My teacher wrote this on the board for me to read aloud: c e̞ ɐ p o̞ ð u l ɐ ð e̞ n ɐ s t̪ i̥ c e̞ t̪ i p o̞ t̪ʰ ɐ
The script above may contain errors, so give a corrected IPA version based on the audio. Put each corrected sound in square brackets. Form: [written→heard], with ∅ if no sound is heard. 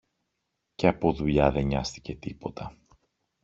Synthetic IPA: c e̞ ɐ p o̞ ð u [l→ʎ] ɐ ð e̞ [n→ɲ] ɐ s t̪ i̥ c e̞ t̪ i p o̞ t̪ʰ ɐ